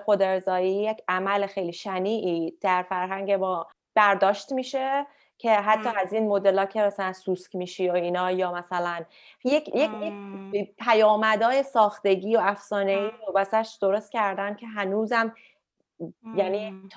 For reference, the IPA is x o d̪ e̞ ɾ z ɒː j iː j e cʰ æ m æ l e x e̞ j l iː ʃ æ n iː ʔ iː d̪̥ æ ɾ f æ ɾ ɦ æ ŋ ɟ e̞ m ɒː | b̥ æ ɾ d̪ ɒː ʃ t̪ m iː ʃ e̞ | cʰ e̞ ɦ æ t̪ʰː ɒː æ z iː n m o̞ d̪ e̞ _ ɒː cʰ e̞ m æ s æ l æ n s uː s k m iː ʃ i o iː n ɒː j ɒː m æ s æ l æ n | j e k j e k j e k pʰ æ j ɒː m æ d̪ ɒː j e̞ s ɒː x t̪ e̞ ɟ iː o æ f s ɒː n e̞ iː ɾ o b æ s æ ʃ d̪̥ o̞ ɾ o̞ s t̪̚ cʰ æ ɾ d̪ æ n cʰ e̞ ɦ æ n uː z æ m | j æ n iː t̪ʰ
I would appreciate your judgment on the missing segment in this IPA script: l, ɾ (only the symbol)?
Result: l